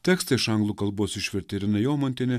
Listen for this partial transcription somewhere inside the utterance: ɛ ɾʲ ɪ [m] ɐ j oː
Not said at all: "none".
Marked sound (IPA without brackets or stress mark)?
n